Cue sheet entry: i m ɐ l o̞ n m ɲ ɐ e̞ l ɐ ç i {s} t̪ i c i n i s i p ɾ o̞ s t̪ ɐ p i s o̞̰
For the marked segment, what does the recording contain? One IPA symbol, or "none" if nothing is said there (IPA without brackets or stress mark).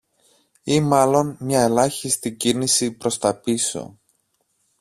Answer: s